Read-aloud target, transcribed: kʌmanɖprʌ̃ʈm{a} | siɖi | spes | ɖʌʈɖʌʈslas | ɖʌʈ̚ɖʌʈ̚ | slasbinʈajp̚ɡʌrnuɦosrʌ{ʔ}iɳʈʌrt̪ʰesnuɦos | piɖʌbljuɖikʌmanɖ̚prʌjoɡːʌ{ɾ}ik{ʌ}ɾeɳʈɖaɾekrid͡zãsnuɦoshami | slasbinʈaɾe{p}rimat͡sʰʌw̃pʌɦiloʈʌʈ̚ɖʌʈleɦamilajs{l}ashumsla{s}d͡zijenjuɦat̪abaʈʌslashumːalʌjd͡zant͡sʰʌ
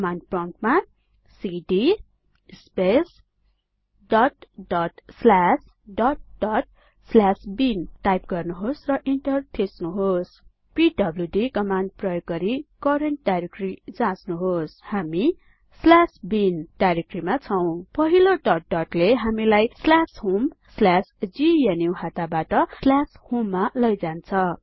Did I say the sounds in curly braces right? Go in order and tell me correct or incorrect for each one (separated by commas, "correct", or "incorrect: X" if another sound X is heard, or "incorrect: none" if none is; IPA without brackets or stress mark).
correct, correct, correct, correct, incorrect: k, correct, correct